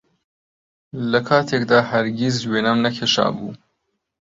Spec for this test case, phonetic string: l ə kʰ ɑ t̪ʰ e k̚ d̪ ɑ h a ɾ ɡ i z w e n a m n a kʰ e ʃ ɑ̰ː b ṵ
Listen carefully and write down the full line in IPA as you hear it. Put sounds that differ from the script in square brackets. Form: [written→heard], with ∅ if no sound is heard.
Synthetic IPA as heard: l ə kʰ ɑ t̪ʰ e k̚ d̪ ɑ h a ɾ ɡ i z w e n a m n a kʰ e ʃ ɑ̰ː b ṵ